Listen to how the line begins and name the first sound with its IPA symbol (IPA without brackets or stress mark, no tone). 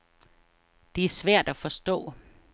d̥